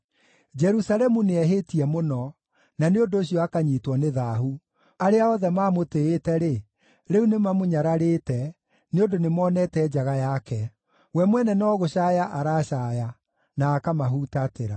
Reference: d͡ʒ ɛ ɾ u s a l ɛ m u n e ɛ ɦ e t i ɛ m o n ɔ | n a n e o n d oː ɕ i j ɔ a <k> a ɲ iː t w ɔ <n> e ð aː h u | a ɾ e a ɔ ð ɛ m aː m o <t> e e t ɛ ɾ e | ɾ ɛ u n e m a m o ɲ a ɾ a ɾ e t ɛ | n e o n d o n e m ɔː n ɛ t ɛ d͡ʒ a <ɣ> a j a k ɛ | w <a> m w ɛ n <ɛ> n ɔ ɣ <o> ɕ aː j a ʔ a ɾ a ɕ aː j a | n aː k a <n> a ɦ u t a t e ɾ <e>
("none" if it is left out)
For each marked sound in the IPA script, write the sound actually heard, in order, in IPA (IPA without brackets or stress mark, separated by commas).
k, n, t, ɣ, ɛ, ɛ, o, m, a